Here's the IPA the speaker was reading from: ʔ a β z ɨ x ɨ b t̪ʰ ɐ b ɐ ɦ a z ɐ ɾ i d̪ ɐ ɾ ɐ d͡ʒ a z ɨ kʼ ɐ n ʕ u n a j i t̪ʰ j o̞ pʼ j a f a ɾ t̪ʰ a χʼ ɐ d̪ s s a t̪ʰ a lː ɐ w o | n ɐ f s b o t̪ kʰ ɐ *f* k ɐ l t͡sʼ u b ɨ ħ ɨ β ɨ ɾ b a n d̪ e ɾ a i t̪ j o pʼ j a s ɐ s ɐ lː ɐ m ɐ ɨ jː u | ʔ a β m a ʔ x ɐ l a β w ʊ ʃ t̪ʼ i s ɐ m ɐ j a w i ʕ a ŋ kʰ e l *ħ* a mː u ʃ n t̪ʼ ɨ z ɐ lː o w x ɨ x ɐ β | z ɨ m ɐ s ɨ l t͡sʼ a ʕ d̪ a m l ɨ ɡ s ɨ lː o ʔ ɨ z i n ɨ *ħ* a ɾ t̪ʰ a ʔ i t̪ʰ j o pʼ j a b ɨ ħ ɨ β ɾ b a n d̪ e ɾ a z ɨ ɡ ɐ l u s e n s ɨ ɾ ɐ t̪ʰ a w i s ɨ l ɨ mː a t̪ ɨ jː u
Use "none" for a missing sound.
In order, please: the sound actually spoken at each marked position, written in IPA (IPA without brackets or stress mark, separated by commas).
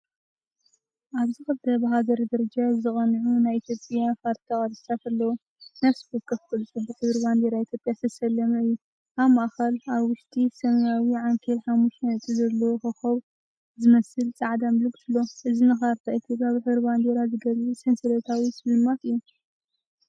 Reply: f, ħ, x